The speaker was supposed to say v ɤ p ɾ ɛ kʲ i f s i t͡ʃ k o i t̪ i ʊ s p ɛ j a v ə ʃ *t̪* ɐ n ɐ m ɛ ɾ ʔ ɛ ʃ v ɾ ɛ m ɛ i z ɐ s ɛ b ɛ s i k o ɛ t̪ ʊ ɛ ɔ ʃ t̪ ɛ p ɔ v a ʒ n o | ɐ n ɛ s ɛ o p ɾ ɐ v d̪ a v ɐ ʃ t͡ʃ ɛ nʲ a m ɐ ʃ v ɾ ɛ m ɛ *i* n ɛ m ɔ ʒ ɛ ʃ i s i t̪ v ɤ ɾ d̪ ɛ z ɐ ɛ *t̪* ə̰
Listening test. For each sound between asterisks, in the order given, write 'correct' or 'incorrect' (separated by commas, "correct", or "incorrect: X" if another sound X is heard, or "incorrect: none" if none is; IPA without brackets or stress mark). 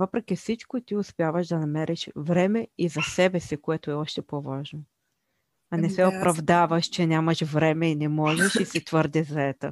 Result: incorrect: d̪, correct, correct